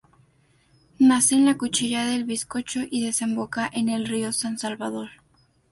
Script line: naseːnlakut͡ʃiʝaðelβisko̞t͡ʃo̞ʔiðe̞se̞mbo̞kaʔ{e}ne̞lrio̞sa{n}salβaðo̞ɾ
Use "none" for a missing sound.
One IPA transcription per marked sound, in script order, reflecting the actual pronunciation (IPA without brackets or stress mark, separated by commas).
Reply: e, n